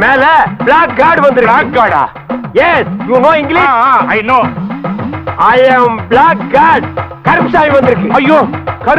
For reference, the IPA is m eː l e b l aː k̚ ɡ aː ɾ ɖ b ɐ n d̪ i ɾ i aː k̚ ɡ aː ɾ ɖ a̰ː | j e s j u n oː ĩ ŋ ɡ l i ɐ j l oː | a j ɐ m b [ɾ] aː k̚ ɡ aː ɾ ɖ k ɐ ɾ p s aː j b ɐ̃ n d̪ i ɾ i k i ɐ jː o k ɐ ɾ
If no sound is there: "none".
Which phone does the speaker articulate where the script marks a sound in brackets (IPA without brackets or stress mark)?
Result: l